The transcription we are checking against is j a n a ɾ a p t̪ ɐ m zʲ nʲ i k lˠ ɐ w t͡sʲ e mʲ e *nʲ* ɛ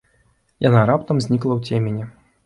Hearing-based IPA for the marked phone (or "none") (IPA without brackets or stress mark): nʲ